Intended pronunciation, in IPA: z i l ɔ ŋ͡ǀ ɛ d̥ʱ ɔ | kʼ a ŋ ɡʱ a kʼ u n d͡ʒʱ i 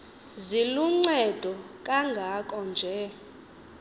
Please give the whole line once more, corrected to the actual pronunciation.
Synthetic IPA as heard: z i l u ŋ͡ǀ ɛ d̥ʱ ɔ | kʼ a ŋ ɡʱ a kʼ ɔ n d͡ʒʱ ɛ